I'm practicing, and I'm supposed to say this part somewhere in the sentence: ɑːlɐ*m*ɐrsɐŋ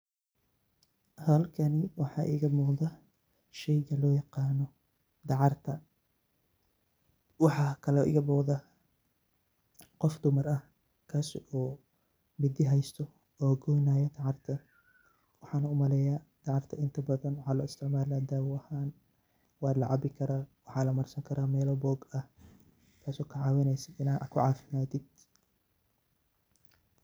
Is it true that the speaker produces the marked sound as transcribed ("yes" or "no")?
yes